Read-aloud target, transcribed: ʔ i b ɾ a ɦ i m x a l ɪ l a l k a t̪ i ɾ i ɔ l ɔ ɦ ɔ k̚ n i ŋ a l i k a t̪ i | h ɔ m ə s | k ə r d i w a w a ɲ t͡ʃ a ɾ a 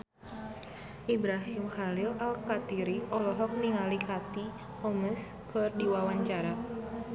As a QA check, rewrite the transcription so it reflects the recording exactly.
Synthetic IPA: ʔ i b ɾ a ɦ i m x a l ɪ l a l k a t̪ i ɾ i ɔ l ɔ ɦ ɔ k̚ n i ŋ a l i k a t̪ i | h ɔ m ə s | k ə r d i w a w a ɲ t͡ʃ a ɾ a